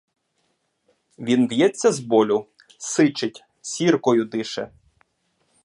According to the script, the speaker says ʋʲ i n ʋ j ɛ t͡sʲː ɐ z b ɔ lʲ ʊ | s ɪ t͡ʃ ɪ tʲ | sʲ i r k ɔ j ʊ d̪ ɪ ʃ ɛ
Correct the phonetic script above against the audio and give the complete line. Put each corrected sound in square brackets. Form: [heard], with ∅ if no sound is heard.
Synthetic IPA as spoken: ʋʲ i n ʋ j ɛ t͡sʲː ɐ z b ɔ lʲ ʊ | s ɪ t͡ʃ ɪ tʲ | sʲ i r k ɔ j ʊ d̪ ɪ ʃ ɛ